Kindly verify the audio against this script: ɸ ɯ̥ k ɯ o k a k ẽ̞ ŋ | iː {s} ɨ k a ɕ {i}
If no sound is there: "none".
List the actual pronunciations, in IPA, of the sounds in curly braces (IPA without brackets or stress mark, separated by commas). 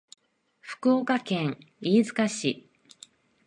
z, i